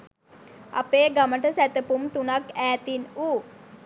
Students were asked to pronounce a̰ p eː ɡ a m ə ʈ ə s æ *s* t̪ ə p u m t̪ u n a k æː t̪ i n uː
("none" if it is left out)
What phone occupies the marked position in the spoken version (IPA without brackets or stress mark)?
none